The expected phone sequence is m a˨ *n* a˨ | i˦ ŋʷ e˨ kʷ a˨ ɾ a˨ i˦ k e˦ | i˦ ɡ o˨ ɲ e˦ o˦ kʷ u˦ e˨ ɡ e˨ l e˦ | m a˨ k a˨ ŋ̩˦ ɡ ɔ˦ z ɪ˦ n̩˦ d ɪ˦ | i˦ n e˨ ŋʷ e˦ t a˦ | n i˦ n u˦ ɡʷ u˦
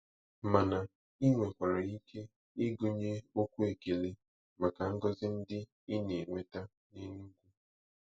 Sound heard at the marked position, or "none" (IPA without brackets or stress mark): n